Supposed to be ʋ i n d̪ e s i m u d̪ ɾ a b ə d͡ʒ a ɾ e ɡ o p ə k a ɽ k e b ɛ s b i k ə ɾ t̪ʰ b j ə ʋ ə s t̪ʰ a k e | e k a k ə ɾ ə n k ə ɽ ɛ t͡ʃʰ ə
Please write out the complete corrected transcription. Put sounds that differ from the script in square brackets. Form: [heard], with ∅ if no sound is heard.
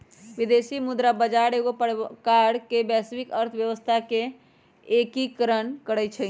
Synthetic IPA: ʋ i [∅] d̪ e s i m u d̪ ɾ a b ə d͡ʒ a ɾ e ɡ o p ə k a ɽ k e b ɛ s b i k ə ɾ t̪ʰ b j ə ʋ ə s t̪ʰ a k e | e k [i] k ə ɾ ə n k ə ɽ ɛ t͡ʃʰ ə